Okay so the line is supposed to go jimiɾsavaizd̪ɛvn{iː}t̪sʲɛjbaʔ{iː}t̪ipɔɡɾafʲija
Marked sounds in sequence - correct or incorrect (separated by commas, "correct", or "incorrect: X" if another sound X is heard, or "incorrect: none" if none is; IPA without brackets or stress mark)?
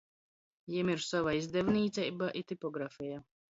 correct, incorrect: i